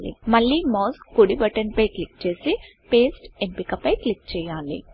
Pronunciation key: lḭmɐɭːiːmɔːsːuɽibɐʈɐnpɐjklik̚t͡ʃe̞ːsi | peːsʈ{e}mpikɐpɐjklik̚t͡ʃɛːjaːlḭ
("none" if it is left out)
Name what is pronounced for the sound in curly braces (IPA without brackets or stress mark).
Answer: e